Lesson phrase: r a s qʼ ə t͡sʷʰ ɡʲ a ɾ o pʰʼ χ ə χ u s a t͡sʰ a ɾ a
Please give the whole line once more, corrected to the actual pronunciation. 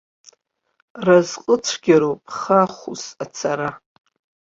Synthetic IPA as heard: r a z qʼ ə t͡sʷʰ ɡʲ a ɾ o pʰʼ χ a χ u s a t͡sʰ a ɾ a